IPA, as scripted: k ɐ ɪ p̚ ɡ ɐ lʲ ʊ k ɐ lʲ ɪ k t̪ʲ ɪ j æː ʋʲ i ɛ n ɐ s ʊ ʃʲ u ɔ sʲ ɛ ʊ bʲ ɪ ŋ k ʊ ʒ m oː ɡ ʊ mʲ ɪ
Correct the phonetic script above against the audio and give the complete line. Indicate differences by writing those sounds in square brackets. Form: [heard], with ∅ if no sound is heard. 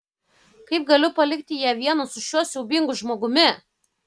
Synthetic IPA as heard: k ɐ ɪ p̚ ɡ ɐ lʲ ʊ [p] ɐ lʲ ɪ k t̪ʲ ɪ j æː ʋʲ i ɛ n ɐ s ʊ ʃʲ u ɔ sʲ ɛ ʊ bʲ ɪ ŋ [ɡ] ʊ ʒ m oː ɡ ʊ mʲ ɪ